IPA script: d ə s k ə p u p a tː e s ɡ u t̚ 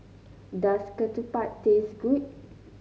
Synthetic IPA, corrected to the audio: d a s k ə t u p a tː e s ɡ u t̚